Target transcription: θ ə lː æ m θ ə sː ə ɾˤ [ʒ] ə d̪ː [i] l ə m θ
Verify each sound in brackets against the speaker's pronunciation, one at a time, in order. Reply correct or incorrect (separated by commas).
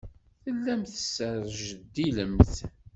correct, correct